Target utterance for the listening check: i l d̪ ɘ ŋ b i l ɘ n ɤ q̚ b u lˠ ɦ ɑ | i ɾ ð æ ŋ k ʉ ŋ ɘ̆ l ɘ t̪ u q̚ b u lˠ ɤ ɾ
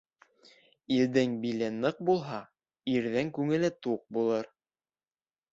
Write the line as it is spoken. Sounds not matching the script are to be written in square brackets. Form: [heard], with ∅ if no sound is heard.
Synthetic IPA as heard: i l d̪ ɘ ŋ b i l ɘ n ɤ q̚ b u lˠ ɦ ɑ | i ɾ ð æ ŋ k ʉ ŋ ɘ̆ l ɘ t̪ u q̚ b u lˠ ɤ ɾ